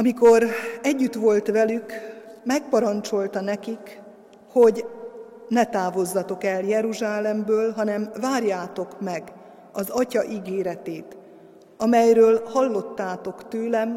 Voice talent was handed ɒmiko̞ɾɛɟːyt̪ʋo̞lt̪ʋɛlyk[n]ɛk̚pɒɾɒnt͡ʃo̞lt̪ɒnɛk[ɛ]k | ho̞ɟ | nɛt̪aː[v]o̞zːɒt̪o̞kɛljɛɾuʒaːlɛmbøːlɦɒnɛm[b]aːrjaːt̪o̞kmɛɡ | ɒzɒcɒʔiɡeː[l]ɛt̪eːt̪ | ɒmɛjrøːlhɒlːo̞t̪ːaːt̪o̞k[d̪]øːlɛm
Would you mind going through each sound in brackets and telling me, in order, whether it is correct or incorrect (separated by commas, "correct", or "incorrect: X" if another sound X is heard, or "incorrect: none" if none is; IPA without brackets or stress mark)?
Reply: incorrect: m, incorrect: i, correct, incorrect: v, incorrect: ɾ, incorrect: t̪